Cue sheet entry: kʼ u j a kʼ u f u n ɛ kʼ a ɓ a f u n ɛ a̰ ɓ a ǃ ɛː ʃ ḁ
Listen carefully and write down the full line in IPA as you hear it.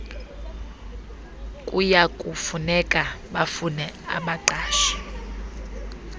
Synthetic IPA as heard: kʼ u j a kʼ u f u n ɛ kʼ a ɓ a f u n ɛ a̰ ɓ a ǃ aː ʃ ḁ